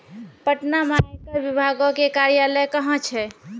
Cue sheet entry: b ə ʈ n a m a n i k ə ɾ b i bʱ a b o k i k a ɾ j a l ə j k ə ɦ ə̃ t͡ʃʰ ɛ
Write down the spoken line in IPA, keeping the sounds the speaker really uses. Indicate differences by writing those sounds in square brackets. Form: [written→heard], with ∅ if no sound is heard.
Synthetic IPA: [b→p] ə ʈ n a m a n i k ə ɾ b i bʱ a [b→ɡ] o k [i→e] k a ɾ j a l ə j k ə ɦ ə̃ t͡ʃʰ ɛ